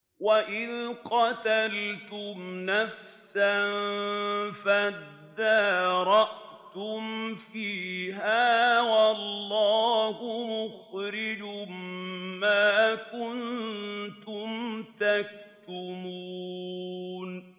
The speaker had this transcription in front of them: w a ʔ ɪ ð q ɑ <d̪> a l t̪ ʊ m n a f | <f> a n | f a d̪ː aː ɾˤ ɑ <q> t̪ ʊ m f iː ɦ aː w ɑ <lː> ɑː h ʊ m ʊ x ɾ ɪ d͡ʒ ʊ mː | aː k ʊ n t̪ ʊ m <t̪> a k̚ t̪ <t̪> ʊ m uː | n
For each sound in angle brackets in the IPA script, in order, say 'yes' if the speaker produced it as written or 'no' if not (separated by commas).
no, no, no, yes, yes, yes